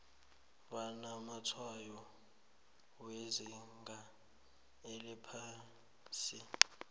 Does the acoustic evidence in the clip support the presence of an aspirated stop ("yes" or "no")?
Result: yes